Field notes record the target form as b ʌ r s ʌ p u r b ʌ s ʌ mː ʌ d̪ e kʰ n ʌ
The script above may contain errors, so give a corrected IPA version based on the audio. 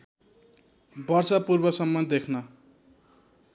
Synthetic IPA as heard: b ʌ r s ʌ p u r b ʌ s ʌ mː ʌ d̪ e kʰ n ʌ